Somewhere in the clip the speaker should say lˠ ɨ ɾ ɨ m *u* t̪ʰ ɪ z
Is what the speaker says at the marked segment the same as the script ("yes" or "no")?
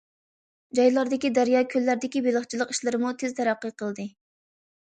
yes